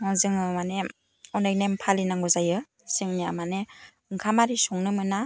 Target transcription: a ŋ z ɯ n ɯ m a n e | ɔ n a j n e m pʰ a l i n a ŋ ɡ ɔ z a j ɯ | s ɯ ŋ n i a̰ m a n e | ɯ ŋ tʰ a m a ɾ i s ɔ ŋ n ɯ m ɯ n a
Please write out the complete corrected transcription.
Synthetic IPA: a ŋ z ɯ ŋ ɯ m a n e | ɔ n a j n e m pʰ a l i n a ŋ ɡ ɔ z a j ɯ | s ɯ ŋ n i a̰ m a n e | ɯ ŋ kʰ a m a ɾ i s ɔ ŋ n ɯ m ɯ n a